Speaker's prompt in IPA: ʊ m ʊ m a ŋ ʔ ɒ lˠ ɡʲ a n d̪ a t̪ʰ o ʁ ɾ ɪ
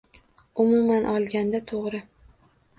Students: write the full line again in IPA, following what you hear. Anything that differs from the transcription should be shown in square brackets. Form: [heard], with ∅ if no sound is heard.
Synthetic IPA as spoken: ʊ m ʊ m a [n] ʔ ɒ lˠ ɡʲ a n d̪ a t̪ʰ o ʁ ɾ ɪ